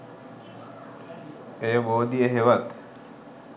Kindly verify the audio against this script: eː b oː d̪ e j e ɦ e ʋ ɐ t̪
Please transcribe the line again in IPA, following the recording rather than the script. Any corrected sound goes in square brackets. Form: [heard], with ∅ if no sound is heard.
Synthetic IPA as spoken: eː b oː d̪ [i] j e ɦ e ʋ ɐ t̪